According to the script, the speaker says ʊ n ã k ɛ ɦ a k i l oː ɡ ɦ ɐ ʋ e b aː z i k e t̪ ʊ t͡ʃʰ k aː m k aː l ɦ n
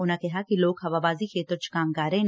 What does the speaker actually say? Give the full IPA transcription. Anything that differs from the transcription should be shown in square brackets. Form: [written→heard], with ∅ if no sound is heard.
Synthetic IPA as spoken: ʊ n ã k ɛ ɦ a k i l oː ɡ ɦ ɐ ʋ [e→a] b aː z i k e t̪ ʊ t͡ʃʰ k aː m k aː [l→ɾ] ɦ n